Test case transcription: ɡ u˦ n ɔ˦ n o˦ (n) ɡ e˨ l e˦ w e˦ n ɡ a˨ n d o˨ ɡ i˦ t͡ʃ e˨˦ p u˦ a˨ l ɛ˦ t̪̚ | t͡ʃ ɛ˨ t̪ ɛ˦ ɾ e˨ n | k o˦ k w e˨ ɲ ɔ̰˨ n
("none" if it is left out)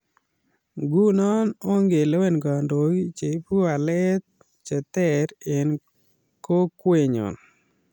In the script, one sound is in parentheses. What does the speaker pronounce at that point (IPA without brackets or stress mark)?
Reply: ŋ